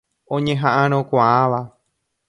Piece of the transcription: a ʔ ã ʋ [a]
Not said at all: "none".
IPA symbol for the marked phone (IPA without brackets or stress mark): a